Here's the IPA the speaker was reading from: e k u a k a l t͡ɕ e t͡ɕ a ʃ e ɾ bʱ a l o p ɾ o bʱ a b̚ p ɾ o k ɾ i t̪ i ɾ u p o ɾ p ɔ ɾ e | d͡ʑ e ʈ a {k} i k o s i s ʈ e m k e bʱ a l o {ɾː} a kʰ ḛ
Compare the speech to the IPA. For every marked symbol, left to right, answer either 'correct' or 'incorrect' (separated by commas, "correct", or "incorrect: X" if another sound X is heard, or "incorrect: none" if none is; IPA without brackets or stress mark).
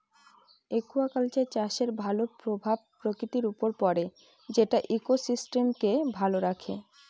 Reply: incorrect: ʔ, incorrect: ɾ